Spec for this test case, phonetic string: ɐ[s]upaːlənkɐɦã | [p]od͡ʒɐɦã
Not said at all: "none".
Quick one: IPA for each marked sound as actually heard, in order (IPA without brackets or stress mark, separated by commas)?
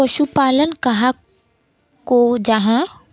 ʃ, k